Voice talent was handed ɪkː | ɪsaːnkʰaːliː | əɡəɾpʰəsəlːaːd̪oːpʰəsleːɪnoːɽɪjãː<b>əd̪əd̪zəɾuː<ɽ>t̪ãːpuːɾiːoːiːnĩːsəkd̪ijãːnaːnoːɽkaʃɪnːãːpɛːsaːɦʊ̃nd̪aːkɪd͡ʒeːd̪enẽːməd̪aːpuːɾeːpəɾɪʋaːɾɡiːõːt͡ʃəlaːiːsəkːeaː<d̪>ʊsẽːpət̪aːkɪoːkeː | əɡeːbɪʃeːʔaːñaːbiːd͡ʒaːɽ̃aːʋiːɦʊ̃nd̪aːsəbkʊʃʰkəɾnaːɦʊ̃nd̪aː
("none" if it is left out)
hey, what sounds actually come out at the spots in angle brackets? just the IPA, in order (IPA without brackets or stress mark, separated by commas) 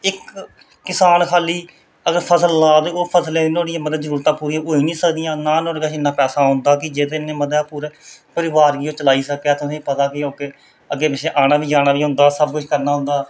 m, ɾ, t̪